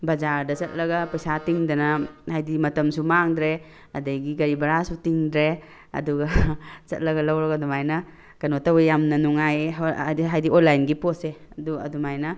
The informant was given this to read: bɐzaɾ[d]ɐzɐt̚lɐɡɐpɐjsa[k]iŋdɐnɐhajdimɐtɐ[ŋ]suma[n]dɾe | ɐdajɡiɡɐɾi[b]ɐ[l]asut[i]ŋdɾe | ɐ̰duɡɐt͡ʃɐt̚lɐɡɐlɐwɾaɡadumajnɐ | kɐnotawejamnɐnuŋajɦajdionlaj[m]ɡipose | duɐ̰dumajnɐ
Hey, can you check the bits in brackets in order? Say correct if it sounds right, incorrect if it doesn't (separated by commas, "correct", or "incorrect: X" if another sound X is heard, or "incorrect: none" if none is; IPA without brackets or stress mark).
correct, incorrect: t, incorrect: m, incorrect: ŋ, correct, incorrect: ɾ, correct, incorrect: n